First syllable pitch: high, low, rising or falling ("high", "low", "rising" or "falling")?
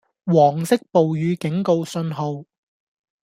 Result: low